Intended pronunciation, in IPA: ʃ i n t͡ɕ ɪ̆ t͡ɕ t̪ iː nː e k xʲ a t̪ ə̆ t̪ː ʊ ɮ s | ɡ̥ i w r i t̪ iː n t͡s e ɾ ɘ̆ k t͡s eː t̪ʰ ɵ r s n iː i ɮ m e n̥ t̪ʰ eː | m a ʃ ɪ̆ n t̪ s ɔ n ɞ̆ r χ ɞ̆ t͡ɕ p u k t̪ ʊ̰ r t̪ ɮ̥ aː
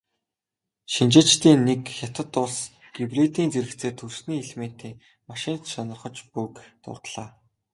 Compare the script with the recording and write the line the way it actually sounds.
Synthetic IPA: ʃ i n t͡ɕ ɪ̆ t͡ɕ t̪ iː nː e k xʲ a t̪ ə̆ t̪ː ʊ ɮ s | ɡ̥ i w r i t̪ iː n t͡s e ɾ ɘ̆ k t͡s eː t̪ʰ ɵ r s n iː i ɮ m e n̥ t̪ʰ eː | m a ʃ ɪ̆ n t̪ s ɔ n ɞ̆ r χ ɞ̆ t͡ɕ p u k t̪ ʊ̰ r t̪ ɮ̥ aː